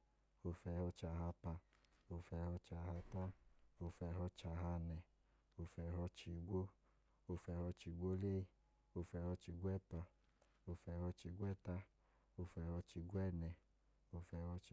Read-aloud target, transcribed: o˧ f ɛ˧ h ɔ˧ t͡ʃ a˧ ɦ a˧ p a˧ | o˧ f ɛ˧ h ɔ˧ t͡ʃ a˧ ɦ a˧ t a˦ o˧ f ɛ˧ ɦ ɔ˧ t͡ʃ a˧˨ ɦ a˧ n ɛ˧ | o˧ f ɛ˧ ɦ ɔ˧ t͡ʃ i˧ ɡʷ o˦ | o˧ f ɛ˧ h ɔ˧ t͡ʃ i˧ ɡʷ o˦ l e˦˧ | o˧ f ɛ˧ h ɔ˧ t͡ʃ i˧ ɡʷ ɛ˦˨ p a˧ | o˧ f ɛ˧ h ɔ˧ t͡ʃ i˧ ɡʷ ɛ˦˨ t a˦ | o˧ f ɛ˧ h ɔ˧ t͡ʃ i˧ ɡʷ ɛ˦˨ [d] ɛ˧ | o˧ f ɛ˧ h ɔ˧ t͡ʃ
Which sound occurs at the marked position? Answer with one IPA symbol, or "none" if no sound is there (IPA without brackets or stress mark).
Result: n